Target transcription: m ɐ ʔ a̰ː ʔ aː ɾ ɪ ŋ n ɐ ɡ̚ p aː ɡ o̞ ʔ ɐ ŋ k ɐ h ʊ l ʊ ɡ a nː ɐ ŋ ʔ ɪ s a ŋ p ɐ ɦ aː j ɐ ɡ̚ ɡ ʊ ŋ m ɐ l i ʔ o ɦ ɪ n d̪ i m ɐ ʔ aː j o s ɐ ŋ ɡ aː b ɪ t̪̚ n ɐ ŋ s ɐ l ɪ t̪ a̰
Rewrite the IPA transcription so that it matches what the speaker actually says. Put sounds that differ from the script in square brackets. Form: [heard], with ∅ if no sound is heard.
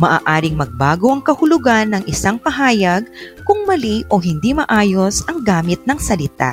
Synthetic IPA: m ɐ ʔ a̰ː ʔ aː ɾ ɪ ŋ [m] ɐ ɡ̚ [b] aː ɡ o̞ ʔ ɐ ŋ k ɐ h ʊ l ʊ ɡ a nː ɐ ŋ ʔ ɪ s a ŋ p ɐ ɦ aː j ɐ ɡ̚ [k] ʊ ŋ m ɐ l i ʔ o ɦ ɪ n d̪ i m ɐ ʔ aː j o s ɐ ŋ ɡ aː [m] ɪ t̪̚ n ɐ ŋ s ɐ l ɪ t̪ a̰